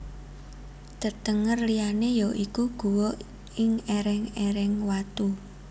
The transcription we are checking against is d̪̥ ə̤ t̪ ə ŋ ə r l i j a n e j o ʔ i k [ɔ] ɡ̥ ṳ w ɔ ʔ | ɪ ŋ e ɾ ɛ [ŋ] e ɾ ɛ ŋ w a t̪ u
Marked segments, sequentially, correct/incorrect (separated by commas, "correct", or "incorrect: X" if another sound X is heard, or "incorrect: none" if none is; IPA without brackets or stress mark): incorrect: u, correct